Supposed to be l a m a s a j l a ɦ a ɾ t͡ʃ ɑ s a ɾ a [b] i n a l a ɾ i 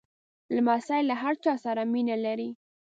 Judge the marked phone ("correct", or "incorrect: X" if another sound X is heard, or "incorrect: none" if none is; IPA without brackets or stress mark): incorrect: m